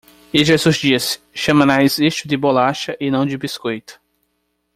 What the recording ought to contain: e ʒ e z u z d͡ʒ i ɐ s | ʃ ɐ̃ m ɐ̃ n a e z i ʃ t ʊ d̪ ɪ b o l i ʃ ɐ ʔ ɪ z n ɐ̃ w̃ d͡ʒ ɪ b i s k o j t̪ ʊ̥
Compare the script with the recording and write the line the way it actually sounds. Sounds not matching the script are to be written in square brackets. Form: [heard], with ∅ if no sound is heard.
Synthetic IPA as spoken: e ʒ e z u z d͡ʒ i ɐ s | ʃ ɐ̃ m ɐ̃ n a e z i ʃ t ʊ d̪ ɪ b o l [a] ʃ ɐ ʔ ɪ [∅] n ɐ̃ w̃ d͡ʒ ɪ b i s k o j t̪ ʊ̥